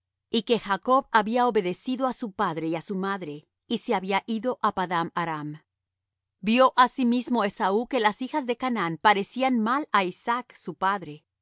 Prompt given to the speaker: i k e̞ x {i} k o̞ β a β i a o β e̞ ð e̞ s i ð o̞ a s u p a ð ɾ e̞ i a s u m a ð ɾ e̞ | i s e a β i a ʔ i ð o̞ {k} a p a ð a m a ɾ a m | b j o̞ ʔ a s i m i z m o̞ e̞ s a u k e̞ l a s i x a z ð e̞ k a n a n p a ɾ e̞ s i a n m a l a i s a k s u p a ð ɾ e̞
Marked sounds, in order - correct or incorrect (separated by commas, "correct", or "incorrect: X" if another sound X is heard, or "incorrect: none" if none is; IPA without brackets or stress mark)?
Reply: incorrect: a, incorrect: ʔ